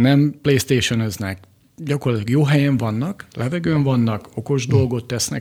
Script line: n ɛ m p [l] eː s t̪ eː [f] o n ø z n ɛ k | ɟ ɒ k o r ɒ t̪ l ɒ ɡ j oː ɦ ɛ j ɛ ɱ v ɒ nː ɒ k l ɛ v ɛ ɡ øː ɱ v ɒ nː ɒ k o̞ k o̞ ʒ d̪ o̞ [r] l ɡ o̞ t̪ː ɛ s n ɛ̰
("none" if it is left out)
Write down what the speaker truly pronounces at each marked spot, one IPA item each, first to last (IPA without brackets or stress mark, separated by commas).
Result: l, ʃ, none